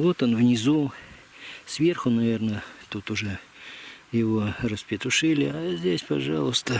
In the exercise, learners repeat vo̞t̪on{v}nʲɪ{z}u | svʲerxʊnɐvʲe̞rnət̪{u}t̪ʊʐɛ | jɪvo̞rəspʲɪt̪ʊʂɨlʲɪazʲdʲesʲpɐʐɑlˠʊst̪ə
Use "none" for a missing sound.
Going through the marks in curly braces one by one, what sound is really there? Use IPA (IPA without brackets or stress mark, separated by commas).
v, z, u